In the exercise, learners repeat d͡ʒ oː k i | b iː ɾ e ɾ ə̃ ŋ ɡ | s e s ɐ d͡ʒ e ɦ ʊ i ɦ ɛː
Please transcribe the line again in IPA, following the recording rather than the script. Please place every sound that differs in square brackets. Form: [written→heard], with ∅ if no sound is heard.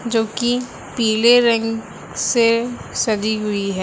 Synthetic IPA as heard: d͡ʒ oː k i | [b→p] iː [ɾ→l] e ɾ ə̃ ŋ ɡ | s e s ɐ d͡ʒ [e→i] ɦ ʊ i ɦ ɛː